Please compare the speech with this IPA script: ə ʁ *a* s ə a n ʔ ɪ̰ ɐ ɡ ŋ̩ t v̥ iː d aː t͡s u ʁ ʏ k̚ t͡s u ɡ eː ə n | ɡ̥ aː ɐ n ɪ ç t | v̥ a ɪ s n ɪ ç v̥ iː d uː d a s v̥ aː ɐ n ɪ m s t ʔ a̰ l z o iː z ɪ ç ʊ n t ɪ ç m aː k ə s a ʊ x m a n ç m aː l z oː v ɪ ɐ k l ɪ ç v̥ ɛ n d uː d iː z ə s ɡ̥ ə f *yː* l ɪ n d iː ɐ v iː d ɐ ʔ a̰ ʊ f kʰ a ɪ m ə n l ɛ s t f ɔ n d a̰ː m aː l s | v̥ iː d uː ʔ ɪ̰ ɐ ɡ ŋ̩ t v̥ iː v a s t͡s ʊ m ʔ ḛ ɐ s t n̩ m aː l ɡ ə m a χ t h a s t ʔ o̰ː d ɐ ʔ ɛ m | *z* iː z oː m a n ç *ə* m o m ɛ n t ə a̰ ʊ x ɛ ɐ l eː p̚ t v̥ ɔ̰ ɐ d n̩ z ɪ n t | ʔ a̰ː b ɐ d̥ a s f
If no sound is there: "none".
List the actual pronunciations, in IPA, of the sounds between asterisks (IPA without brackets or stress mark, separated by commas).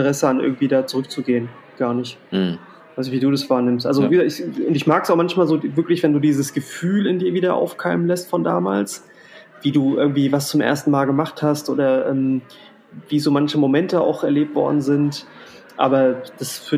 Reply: ɛ, yː, v, ə